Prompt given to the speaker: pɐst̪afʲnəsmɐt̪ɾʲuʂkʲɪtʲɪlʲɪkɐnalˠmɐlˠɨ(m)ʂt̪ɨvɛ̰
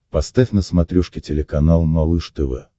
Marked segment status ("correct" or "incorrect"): incorrect